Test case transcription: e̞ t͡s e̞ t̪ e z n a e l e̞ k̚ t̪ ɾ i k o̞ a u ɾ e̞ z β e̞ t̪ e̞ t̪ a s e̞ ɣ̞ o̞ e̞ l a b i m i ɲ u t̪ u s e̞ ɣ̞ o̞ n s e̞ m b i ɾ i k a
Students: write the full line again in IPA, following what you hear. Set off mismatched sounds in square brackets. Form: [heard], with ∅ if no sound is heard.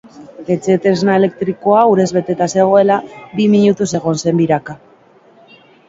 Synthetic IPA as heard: e̞ t͡s e̞ t̪ e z n a e l e̞ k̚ t̪ ɾ i k o̞ a u ɾ e̞ z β e̞ t̪ e̞ t̪ a s e̞ ɣ̞ o̞ e̞ l a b i m i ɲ u t̪ u s e̞ ɣ̞ o̞ n s e̞ m b i ɾ [a] k a